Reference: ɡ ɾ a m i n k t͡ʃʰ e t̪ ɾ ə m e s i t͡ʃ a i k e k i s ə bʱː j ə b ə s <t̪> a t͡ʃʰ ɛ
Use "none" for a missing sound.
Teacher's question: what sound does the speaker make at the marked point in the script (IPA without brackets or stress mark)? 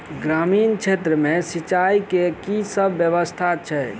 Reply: t̪ʰ